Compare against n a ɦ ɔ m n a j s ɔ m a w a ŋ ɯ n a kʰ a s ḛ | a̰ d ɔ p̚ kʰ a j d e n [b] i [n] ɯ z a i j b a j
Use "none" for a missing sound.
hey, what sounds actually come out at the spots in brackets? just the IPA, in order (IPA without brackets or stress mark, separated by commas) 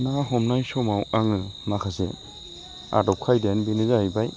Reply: b, n